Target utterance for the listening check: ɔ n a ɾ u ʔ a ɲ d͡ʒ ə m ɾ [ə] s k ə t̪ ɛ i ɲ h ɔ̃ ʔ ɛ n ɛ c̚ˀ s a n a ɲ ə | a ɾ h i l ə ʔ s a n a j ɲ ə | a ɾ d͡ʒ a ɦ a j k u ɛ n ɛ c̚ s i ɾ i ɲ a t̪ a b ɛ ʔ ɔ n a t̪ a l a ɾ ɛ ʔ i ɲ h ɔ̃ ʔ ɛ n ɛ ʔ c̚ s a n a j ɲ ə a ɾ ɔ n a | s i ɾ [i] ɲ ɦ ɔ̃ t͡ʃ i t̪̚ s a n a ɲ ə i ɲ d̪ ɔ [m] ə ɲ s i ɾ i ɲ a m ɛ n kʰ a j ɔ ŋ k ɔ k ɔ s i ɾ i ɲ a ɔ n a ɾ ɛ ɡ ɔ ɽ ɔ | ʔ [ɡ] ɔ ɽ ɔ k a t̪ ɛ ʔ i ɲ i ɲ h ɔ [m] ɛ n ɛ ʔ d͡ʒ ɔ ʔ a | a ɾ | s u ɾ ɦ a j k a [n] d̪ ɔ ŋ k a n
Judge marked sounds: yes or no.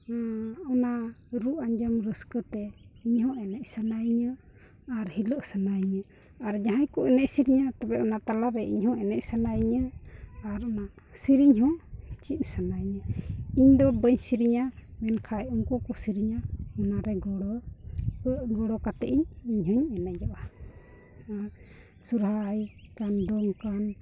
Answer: yes, yes, no, yes, no, yes

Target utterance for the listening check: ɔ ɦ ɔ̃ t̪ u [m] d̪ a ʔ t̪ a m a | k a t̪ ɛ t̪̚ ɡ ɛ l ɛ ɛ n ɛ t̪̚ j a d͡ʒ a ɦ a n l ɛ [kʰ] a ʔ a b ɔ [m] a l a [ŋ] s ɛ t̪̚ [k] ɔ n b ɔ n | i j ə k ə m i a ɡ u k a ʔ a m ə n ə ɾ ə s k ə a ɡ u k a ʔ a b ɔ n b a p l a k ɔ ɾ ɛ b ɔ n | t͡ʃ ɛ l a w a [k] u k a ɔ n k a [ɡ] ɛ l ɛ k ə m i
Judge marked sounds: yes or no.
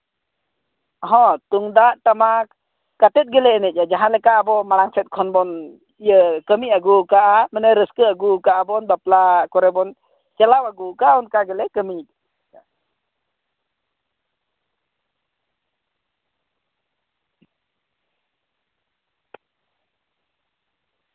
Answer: no, no, yes, yes, no, no, yes

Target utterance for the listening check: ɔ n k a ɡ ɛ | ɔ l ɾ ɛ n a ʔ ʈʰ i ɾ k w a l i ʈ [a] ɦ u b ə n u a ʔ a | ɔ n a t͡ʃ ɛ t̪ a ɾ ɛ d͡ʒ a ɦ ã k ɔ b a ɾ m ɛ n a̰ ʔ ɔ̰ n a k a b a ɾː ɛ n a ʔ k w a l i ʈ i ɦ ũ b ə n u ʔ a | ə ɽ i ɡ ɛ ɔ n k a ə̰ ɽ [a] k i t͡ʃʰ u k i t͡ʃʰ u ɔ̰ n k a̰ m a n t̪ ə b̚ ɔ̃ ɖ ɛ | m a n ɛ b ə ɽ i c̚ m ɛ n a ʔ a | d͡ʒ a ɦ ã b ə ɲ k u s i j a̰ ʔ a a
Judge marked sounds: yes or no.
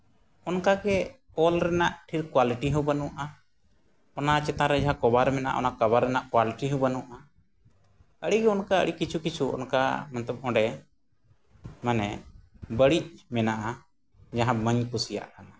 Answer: no, no

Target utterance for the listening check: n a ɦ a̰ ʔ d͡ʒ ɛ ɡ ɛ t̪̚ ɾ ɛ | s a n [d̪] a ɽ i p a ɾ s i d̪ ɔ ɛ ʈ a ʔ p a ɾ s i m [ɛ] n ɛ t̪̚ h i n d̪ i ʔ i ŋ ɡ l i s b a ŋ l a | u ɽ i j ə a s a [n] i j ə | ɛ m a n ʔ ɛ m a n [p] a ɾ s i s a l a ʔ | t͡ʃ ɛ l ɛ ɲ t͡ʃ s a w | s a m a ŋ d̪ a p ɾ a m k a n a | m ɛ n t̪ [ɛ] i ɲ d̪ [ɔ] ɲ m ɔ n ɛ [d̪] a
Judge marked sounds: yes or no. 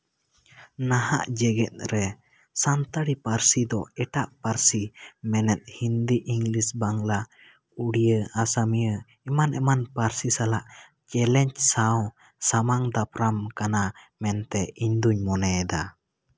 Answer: no, yes, no, yes, yes, no, yes

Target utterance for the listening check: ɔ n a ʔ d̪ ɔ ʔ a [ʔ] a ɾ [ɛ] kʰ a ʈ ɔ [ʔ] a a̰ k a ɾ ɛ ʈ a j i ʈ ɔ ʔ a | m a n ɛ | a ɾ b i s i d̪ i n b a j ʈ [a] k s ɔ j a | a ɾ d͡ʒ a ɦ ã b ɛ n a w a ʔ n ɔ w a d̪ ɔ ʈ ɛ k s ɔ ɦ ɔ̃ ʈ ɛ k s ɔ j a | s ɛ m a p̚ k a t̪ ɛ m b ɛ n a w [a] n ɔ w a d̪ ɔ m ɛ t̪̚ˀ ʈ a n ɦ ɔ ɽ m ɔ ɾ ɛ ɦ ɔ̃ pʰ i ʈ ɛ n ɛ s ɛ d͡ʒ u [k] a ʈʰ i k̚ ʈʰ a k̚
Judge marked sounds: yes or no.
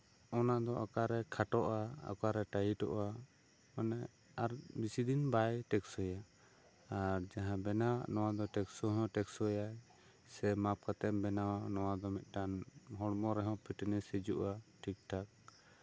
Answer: no, yes, yes, no, yes, no

